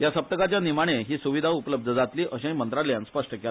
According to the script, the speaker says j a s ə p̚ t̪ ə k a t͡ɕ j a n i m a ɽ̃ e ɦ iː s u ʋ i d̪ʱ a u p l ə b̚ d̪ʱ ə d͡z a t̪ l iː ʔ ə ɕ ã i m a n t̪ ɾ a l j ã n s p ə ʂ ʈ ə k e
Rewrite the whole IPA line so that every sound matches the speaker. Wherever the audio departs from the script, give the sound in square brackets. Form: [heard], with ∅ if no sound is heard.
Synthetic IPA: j a s ə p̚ t̪ ə k a t͡ɕ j a n i m a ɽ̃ e ɦ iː s u ʋ i d̪ʱ a u p l ə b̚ d̪ʱ ə d͡z a t̪ l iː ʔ ə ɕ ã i m [ə] n t̪ ɾ a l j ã n s p ə ʂ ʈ ə k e